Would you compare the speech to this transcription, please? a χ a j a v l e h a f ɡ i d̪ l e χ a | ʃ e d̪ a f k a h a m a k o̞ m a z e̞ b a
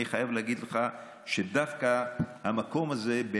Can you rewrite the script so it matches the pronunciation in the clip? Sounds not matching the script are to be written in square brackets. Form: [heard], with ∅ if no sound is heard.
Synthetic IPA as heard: [i] χ a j a v l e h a [∅] ɡ i d̪ l e χ a | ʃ e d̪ a f k a h a m a k o̞ m a z e̞ b [e]